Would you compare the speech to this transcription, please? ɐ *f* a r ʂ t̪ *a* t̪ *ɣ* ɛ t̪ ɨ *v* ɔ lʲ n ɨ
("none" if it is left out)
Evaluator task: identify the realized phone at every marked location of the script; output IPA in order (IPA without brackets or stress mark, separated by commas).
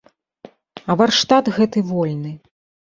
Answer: v, a, ɣ, v